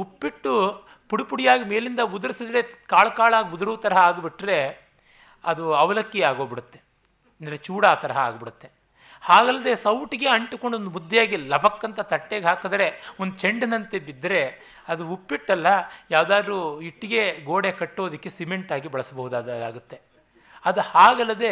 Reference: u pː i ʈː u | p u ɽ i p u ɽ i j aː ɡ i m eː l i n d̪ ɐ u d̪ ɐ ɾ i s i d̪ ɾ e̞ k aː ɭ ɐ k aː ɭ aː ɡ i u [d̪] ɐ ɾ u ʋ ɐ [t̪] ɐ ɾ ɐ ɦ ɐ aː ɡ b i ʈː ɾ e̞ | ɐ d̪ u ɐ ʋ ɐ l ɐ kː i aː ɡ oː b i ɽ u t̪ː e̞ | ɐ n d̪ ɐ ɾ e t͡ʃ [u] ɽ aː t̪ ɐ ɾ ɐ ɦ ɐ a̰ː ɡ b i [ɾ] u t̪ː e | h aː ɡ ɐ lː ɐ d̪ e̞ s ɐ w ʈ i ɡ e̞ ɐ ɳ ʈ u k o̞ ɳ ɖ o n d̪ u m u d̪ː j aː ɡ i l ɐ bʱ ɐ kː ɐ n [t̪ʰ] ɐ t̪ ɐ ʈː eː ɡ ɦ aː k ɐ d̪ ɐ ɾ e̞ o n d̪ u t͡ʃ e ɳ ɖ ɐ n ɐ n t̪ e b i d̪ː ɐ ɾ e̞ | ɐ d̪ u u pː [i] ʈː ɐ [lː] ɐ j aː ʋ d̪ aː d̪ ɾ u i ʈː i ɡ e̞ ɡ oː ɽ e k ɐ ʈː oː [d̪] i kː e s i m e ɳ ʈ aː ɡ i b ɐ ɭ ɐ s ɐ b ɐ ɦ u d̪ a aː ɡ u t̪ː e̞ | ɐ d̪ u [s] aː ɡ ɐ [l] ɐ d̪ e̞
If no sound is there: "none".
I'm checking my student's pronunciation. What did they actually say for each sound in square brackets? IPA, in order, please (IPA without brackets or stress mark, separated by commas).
d̪, t̪, uː, ɽ, t̪, i, lː, d̪, h, lː